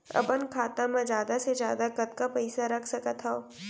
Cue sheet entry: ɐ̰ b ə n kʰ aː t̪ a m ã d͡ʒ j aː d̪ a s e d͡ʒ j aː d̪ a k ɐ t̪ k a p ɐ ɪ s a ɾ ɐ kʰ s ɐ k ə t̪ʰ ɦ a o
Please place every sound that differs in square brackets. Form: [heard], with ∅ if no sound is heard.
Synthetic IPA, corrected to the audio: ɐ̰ b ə n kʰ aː t̪ a m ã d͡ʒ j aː d̪ a s e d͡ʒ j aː d̪ a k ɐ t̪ k a p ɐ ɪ s a ɾ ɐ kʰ s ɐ k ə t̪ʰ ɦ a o